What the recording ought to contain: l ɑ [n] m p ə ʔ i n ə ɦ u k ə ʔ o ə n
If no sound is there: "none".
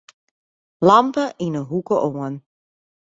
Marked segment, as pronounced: none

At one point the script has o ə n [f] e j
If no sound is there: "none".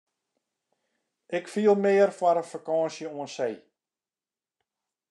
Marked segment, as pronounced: s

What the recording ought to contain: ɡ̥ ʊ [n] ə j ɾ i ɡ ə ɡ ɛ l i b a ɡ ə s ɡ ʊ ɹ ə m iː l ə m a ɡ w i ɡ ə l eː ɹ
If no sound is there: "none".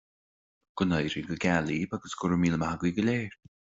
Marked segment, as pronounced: n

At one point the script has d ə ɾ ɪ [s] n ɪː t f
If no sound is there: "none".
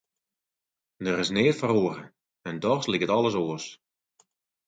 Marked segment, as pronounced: s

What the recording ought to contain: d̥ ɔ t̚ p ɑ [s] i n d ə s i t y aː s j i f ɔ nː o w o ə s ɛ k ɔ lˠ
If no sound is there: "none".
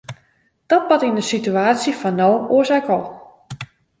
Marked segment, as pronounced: t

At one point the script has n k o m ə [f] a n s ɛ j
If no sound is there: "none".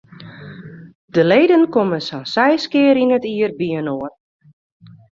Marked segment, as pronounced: s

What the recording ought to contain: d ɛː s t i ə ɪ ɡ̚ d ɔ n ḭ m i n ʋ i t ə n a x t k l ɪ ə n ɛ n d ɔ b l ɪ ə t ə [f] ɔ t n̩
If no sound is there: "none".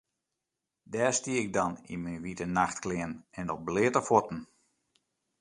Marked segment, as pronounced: f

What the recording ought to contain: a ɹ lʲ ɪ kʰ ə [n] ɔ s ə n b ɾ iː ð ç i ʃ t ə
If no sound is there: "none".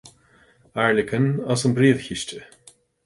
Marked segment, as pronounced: n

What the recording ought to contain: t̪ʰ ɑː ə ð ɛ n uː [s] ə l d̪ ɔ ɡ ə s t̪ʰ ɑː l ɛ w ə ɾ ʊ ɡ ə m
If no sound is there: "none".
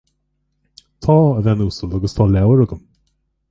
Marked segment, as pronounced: s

